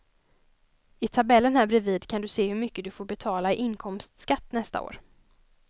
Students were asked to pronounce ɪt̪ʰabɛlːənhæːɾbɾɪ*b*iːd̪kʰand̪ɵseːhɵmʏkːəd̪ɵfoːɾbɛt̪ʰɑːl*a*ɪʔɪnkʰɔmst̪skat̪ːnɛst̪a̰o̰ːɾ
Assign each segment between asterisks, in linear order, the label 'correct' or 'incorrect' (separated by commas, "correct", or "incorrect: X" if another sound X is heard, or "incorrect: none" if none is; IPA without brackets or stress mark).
incorrect: v, correct